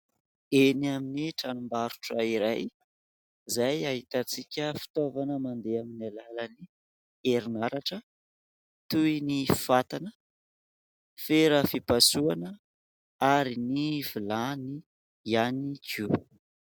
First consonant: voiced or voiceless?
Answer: voiced